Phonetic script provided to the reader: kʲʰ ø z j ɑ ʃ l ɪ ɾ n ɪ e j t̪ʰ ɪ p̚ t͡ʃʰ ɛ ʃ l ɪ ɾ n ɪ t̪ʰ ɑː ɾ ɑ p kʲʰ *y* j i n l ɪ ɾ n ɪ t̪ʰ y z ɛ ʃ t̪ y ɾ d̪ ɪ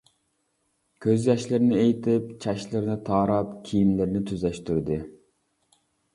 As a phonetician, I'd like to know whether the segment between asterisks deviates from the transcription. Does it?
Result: yes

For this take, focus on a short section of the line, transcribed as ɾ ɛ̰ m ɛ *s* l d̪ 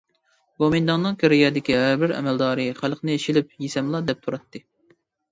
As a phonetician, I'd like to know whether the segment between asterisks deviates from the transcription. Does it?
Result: yes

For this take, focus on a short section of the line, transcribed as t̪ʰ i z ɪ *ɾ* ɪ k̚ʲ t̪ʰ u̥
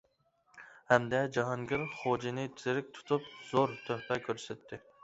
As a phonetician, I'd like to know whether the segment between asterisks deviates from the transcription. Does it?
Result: no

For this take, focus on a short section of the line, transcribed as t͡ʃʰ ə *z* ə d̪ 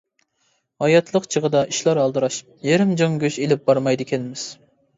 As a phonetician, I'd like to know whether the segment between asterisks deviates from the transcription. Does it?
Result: yes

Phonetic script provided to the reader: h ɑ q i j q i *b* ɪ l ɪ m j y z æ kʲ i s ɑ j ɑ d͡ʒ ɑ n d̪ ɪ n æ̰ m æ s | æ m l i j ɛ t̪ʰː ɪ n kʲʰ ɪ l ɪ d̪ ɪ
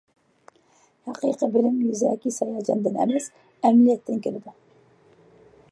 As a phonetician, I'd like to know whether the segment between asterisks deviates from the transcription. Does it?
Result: no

